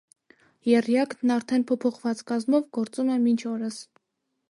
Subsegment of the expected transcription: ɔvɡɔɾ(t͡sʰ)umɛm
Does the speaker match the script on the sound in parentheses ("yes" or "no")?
no